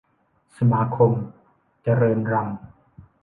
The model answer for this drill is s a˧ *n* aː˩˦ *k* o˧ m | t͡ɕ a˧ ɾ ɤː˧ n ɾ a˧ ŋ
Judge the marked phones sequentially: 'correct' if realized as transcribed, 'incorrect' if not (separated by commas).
incorrect, incorrect